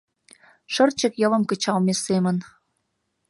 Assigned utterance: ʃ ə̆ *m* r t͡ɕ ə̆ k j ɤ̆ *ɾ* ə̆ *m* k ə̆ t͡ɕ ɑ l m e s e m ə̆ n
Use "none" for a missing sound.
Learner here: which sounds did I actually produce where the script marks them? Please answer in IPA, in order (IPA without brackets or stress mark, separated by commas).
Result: none, l, m